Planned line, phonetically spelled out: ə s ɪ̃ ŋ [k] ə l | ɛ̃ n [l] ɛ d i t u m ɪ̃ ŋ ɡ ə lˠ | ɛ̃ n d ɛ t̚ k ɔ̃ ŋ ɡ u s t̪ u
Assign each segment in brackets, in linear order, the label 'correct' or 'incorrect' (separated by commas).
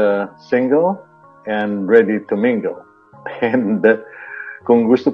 incorrect, incorrect